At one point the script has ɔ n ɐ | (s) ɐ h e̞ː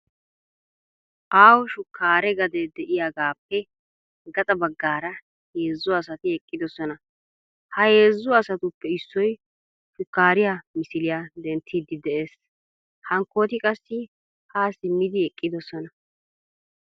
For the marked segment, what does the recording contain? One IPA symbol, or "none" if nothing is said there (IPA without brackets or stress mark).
h